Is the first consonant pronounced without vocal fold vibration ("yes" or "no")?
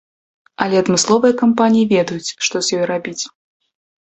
no